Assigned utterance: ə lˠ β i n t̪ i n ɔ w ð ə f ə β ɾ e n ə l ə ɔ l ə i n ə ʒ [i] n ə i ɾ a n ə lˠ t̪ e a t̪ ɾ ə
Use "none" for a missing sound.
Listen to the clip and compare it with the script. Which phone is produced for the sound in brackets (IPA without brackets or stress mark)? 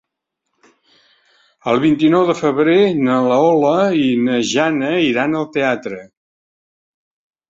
a